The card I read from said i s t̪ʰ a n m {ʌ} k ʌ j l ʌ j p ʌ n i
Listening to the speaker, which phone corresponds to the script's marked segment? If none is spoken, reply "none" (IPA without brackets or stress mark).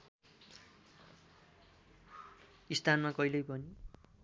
a